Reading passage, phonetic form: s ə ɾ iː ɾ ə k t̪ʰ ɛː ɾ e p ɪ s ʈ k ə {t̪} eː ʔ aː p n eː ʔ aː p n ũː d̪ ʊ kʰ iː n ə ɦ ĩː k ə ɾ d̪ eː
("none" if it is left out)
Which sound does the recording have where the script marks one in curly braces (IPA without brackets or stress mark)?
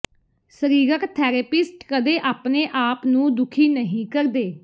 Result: d̪